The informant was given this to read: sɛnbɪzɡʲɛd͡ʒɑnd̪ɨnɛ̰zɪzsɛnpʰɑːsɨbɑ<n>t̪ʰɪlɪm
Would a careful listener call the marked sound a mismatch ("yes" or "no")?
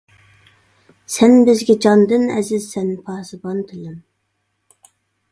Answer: no